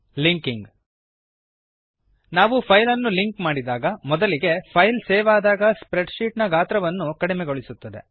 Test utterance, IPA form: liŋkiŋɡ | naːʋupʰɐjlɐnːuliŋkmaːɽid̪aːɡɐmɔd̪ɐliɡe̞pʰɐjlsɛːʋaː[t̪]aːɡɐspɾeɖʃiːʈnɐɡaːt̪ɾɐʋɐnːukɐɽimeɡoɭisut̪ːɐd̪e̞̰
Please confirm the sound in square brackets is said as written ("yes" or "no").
no